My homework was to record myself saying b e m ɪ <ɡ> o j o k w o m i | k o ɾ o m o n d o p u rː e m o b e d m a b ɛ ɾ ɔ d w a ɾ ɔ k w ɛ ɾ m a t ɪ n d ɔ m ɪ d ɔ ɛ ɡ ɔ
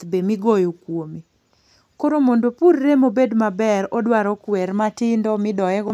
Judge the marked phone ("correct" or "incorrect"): correct